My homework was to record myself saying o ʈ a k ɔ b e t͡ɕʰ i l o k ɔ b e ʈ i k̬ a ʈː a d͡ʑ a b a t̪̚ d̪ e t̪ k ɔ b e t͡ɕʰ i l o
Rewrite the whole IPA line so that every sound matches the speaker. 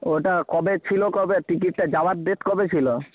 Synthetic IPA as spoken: o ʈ a k ɔ b e t͡ɕʰ i l o k ɔ b e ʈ i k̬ i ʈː a d͡ʑ a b a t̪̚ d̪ e t̪ k ɔ b e t͡ɕʰ i l o

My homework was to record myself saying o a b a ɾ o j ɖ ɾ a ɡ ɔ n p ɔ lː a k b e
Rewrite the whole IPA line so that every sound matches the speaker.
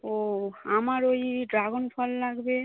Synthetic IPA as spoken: o a m a ɾ o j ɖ ɾ a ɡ o n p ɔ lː a ɡ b e

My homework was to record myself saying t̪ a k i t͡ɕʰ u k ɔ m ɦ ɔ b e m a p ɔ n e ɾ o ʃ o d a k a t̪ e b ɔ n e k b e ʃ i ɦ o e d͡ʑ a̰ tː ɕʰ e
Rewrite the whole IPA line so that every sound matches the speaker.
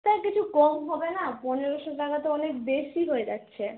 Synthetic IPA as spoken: t̪ a k i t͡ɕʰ u k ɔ m ɦ ɔ b e n a p ɔ n e ɾ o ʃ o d a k a t̪ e ɔ n e k b e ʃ i ɦ o e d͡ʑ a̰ tː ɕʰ e

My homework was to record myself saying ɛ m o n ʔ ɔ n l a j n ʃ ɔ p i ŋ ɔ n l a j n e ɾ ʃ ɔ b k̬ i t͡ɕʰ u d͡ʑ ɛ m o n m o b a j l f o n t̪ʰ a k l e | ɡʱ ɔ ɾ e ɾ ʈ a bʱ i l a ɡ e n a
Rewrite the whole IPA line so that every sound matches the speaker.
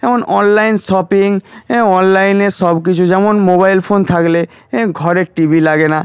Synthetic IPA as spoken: ɛ m o n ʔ ɔ n l a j n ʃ ɔ p i ŋ ɔ n l a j n e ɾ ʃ ɔ b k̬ i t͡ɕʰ u d͡ʑ ɛ m o n m o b a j l f o n t̪ʰ a k l e | ɡʱ ɔ ɾ e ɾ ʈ i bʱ i l a ɡ e n a

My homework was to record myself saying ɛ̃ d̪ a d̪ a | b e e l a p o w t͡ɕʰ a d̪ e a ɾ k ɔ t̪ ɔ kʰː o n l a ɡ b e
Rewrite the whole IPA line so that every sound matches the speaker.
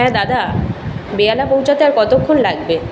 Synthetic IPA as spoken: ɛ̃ d̪ a d̪ a | b e a l a p o w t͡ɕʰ a t̪ e a ɾ k ɔ t̪ o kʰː o n l a ɡ b e

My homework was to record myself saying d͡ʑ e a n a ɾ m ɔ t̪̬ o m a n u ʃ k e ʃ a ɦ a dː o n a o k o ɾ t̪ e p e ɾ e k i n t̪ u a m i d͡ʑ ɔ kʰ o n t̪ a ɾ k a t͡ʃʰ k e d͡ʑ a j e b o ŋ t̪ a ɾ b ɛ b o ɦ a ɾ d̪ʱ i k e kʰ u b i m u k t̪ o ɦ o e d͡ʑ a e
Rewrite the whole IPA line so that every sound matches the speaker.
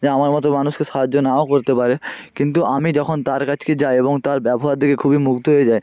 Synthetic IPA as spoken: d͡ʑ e a m a ɾ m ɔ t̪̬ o m a n u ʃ k e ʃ a ɦ a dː o n a o k o ɾ t̪ e p a ɾ e k i n t̪ u a m i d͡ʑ ɔ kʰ o n t̪ a ɾ k a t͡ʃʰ k e d͡ʑ a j e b o ŋ t̪ a ɾ b ɛ b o ɦ a ɾ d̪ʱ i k e kʰ u b i m u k t̪ o ɦ o e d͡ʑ a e

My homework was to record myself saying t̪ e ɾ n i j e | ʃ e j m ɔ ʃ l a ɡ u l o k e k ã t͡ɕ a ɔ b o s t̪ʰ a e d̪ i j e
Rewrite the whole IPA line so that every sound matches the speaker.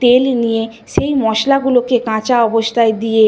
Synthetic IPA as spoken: t̪ e l n i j e | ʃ e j m ɔ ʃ l a ɡ u l o k e k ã t͡ɕ a ɔ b o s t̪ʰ a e d̪ i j e

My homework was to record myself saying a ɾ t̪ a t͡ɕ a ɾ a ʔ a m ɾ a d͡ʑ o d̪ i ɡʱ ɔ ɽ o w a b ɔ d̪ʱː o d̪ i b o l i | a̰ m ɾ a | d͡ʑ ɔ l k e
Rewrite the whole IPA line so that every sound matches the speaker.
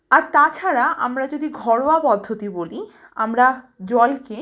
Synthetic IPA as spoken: a ɾ t̪ a t͡ɕʰ a ɾ a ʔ a m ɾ a d͡ʑ o d̪ i ɡʱ ɔ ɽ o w a p ɔ d̪ʱː o t̪ i b o l i | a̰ m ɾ a | d͡ʑ ɔ l k e

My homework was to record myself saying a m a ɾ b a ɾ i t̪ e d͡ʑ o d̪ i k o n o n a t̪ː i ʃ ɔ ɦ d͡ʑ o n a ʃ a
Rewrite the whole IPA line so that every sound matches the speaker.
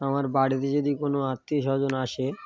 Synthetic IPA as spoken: a m a ɾ b a ɽ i t̪ e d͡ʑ o d̪ i k o n o a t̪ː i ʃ ɔ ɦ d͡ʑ o n a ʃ e

